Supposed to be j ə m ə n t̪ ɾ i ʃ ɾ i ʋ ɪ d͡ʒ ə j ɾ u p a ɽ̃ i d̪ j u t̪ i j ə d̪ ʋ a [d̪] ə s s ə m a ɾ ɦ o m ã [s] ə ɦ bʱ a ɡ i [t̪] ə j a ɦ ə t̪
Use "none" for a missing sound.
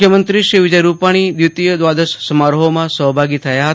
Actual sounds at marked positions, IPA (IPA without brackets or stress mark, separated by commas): d̪, s, t̪ʰ